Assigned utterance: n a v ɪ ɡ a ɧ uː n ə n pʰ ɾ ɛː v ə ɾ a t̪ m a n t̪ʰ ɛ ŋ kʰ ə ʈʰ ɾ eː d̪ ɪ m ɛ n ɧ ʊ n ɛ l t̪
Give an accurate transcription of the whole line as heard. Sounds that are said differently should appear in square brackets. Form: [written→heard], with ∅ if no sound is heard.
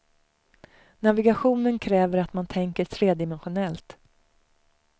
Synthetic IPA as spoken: n a v ɪ ɡ a ɧ uː n ə n [pʰ→kʰ] ɾ ɛː v ə ɾ a t̪ m a n t̪ʰ ɛ ŋ [kʰ→k] ə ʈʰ ɾ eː d̪ ɪ m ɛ n ɧ ʊ n ɛ l t̪